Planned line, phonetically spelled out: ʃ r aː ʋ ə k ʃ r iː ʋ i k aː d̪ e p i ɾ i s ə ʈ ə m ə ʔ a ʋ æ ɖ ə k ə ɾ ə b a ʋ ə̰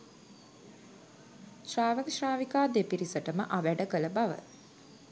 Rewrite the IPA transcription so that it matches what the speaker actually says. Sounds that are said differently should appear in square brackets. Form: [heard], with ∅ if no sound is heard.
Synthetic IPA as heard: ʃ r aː ʋ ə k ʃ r [aː] ʋ i k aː d̪ e p i ɾ i s ə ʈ ə m ə ʔ a ʋ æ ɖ ə k ə [l] ə b a ʋ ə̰